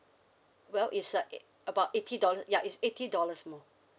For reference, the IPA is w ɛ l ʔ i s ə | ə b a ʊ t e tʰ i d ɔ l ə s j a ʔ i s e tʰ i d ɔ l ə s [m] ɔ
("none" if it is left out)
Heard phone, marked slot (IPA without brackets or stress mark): m